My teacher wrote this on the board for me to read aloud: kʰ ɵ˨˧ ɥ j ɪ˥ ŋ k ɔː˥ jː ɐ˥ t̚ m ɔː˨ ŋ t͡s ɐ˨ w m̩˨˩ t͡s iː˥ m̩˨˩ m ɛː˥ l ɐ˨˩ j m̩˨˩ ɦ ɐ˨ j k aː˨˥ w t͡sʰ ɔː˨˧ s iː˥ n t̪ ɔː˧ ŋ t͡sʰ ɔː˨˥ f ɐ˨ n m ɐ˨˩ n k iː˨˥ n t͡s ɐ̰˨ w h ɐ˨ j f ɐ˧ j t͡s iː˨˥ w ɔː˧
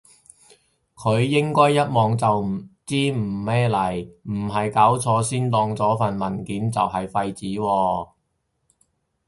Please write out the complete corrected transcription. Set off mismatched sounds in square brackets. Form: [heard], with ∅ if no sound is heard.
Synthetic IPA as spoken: kʰ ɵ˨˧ ɥ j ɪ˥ ŋ k ɔː˥ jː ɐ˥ t̚ m ɔː˨ ŋ t͡s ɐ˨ w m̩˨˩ t͡s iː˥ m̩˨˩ m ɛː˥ l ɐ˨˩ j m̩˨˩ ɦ ɐ˨ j k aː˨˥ w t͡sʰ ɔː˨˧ s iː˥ n t̪ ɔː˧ ŋ [t͡s] ɔː˨˥ f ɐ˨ n m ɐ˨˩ n k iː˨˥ n t͡s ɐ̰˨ w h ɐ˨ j f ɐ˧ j t͡s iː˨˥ w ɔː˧